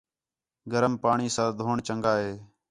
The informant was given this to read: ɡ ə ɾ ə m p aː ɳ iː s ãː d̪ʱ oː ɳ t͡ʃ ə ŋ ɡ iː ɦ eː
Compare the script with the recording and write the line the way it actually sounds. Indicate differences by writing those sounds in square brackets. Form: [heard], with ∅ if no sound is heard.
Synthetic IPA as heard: ɡ ə ɾ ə m p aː ɳ iː s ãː d̪ʱ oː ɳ t͡ʃ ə ŋ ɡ [aː] ɦ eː

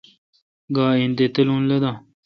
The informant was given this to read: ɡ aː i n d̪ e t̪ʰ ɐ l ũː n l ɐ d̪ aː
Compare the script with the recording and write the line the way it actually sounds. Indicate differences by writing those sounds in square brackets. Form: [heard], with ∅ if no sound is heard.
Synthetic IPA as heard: ɡ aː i n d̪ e [t̪] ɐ l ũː n l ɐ d̪ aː

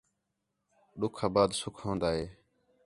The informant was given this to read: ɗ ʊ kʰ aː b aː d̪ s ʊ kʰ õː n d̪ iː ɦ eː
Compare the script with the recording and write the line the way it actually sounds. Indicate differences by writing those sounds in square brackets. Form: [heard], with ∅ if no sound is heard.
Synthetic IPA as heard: ɗ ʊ kʰ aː b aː d̪ s ʊ kʰ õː n d̪ [aː] ɦ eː

